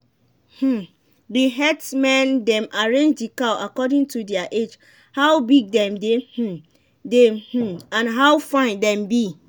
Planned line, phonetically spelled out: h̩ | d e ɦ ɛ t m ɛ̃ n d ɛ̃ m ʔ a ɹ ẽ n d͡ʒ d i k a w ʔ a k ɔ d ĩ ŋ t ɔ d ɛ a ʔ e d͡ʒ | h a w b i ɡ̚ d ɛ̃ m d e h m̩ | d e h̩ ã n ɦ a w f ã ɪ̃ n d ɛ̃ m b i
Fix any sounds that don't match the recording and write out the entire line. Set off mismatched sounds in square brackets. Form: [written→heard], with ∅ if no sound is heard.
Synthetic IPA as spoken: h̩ | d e ɦ ɛ t m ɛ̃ n d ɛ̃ m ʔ a ɹ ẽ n d͡ʒ d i k a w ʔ a k ɔ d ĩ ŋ t [ɔ→u] d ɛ a ʔ e d͡ʒ | h a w b i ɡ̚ d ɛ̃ m d e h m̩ | d e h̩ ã n ɦ a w f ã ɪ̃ n d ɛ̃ m b i